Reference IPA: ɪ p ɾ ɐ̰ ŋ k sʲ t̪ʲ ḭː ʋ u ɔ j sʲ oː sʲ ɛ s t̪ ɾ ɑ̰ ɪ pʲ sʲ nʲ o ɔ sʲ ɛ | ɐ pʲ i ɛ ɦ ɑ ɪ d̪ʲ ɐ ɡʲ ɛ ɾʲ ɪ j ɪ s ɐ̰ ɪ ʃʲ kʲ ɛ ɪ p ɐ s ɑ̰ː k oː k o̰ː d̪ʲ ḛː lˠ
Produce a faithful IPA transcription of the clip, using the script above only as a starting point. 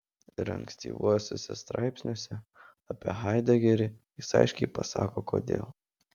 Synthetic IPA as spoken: ɪ ɾ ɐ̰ ŋ k sʲ t̪ʲ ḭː ʋ u ɔ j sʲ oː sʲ ɛ s t̪ ɾ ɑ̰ ɪ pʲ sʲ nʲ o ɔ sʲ ɛ | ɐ pʲ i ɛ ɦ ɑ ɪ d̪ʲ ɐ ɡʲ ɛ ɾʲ ɪ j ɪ s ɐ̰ ɪ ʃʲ kʲ ɛ ɪ p ɐ s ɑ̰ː k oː k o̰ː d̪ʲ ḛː lˠ